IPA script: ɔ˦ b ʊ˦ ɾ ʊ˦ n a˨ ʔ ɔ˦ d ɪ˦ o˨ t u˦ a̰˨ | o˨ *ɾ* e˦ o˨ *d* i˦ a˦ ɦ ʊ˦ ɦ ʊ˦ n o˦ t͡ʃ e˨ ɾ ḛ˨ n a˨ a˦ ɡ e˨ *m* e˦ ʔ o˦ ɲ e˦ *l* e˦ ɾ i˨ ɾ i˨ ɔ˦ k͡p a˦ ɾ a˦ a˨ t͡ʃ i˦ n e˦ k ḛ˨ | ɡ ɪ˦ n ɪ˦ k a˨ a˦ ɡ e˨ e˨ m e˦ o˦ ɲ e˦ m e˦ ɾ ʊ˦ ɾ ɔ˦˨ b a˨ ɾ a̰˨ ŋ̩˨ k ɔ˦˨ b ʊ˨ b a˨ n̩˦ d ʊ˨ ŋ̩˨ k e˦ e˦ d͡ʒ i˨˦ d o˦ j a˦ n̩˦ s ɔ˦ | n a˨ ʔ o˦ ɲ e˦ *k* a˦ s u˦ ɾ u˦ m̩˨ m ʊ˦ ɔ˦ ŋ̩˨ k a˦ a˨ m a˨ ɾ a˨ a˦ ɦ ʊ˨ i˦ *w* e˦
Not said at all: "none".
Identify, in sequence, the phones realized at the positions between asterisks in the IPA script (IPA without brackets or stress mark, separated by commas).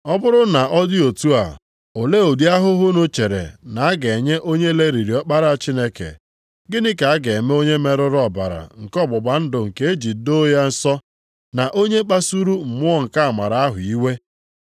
l, d, ɲ, l, k͡p, w